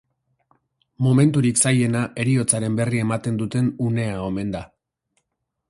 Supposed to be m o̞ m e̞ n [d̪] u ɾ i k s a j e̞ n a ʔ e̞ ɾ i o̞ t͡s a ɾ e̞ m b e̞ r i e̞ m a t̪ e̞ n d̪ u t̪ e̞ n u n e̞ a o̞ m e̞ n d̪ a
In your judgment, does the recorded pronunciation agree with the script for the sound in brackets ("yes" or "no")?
no